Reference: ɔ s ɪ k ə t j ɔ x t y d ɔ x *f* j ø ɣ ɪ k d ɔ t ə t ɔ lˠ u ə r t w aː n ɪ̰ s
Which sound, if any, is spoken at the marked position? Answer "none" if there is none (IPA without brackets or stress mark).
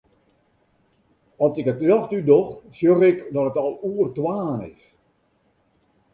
s